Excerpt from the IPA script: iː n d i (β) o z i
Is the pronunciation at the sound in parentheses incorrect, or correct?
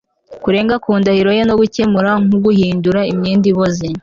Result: correct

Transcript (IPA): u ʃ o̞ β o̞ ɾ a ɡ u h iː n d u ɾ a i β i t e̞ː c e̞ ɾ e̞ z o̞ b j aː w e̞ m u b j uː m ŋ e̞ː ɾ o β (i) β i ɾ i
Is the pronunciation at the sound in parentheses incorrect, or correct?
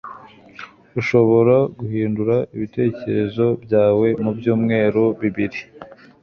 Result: correct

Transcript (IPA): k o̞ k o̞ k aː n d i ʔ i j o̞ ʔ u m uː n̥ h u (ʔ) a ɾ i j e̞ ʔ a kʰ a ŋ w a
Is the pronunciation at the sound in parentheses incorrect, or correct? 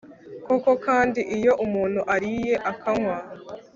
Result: correct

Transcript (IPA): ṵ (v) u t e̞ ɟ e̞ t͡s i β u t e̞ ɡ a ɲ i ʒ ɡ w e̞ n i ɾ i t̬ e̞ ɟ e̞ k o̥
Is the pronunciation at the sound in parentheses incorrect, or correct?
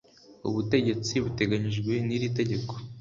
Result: incorrect: β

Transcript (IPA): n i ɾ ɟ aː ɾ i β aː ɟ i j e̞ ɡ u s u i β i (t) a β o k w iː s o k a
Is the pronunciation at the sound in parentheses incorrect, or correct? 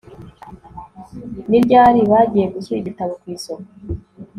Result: correct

